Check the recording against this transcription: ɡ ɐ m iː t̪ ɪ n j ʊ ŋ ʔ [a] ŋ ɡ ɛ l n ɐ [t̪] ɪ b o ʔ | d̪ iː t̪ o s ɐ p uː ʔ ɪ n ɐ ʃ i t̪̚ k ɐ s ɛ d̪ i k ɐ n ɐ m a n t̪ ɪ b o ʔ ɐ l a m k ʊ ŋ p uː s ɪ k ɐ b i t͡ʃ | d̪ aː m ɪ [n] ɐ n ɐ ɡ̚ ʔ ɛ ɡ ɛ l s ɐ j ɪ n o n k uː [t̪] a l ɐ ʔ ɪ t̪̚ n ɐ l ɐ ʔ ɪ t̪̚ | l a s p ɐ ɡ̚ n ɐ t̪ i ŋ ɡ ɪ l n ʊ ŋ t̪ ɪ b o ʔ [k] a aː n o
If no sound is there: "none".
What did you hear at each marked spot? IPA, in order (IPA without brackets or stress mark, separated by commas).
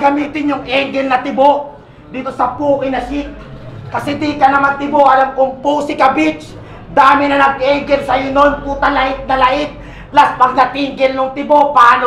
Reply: ɛ, t̪, n, t̪, p